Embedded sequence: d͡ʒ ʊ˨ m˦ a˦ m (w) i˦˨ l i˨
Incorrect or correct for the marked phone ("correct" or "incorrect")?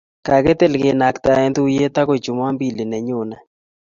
incorrect